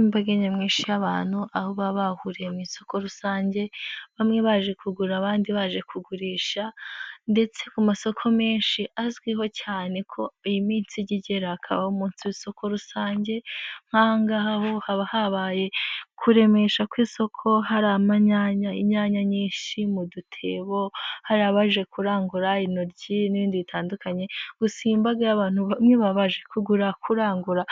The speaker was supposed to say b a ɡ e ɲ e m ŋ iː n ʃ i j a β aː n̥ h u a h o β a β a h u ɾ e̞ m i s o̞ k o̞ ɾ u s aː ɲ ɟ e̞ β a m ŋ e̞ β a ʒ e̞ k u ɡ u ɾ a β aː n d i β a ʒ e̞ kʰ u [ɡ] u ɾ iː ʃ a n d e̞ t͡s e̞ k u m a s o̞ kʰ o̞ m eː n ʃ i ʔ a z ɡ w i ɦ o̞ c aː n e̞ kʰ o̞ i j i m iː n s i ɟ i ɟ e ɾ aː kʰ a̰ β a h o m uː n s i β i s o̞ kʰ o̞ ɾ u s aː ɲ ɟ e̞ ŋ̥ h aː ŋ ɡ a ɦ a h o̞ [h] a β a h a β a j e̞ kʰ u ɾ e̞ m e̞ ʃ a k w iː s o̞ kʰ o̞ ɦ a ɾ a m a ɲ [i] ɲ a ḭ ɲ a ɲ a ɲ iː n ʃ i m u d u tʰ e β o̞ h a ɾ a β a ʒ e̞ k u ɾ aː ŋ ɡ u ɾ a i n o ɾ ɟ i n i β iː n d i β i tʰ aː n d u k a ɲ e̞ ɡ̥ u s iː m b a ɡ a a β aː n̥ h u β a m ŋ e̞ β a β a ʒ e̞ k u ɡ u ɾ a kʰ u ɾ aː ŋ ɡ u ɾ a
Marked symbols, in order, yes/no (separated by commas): yes, yes, no